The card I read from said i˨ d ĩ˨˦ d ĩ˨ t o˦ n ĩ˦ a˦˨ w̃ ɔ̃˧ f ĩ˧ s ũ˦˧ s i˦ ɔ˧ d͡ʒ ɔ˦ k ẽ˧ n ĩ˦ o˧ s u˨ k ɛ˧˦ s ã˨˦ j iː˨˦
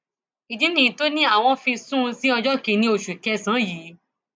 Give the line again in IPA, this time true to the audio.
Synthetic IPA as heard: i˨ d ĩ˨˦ n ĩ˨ t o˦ n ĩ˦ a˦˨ w̃ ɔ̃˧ f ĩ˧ s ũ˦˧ s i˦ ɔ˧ d͡ʒ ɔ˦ k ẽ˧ n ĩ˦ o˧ ʃ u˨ k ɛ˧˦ s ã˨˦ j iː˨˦

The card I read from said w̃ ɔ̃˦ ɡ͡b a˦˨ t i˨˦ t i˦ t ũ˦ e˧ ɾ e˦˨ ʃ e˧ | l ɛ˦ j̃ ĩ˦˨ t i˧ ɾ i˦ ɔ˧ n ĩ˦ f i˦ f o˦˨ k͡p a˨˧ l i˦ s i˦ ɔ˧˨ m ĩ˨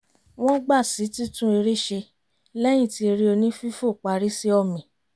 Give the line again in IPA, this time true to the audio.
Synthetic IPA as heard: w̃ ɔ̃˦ ɡ͡b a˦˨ s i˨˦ t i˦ t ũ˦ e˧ ɾ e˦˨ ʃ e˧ | l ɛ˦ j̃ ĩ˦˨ t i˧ ɾ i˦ o˧ n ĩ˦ f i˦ f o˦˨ k͡p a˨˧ ɾ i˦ s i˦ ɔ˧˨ m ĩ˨

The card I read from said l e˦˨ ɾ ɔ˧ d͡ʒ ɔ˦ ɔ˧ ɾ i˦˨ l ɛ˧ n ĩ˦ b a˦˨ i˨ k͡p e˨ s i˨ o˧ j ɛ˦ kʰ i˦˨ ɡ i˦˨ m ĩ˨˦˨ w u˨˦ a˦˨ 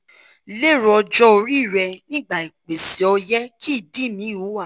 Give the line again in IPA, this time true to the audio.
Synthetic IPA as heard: l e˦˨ ɾ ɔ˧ d͡ʒ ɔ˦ o˧ ɾ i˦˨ ɾ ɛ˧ n ĩ˦ ɡ͡b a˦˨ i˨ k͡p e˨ s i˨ ɔ˧ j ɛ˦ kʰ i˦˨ d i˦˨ m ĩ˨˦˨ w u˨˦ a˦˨

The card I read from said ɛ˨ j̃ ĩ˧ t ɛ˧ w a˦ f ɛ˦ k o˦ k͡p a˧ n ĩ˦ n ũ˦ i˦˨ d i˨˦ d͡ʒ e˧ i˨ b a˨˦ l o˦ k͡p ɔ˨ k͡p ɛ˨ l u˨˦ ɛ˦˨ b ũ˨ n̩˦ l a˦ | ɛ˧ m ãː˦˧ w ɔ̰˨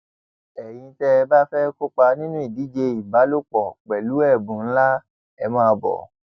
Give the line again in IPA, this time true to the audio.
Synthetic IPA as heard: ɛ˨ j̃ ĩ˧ t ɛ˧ b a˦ f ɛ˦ k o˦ k͡p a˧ n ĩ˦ n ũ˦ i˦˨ d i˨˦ d͡ʒ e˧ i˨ b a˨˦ l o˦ k͡p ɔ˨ k͡p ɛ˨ l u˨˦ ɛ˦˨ b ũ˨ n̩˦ l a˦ | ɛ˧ m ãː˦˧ b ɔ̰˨

